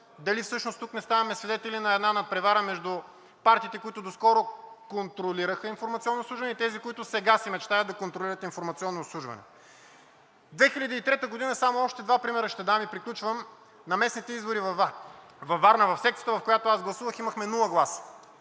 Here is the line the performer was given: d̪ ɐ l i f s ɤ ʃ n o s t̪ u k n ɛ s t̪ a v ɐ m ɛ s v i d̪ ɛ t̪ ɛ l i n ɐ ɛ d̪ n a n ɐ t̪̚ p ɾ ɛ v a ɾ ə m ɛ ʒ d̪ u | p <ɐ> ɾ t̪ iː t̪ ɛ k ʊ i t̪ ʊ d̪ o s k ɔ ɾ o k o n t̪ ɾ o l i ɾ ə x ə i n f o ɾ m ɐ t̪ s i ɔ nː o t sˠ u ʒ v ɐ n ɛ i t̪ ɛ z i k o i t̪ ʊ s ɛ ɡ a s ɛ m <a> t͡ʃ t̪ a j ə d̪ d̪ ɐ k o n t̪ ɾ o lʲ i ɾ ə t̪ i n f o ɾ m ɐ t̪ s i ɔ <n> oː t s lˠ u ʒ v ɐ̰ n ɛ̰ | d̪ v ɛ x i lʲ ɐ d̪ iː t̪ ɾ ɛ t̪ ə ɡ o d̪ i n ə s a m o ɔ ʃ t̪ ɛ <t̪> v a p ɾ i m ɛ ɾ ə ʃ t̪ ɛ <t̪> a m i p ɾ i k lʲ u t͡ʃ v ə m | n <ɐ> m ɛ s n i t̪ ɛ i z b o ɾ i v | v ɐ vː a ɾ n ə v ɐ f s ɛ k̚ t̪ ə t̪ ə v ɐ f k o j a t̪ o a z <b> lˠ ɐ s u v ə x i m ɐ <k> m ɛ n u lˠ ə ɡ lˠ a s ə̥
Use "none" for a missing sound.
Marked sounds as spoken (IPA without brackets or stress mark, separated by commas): a, ɛ, nː, d̪, d̪, ɐ, ɡ, x